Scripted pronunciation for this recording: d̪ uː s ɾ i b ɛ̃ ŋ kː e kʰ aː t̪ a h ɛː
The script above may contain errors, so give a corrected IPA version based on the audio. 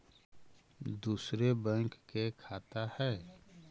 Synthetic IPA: d̪ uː s ɾ e b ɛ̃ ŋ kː e kʰ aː t̪ a h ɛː